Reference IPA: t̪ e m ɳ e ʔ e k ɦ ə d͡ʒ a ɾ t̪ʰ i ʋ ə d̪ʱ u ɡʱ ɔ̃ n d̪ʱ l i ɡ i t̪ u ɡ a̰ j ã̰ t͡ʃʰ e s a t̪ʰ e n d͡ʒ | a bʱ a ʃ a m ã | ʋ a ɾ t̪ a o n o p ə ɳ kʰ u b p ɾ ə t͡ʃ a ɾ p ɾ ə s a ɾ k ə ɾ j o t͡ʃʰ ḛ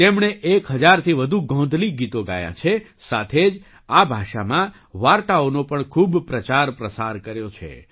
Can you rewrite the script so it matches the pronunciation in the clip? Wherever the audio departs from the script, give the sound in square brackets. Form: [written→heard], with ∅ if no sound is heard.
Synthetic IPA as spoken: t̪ e m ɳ e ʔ e k ɦ ə d͡ʒ a ɾ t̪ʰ i ʋ ə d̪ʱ u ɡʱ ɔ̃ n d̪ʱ l i ɡ i t̪ [u→o] ɡ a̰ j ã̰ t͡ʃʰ e s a t̪ʰ e [n→∅] d͡ʒ | a bʱ a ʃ a m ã | ʋ a ɾ t̪ a o n o p ə ɳ kʰ u b p ɾ ə t͡ʃ a ɾ p ɾ ə s a ɾ k ə ɾ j o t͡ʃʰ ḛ